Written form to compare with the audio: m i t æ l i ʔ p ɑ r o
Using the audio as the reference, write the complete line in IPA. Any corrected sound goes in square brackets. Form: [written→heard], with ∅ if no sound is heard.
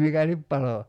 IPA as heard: m i [t→k] æ l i [ʔ→p] p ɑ [r→l] o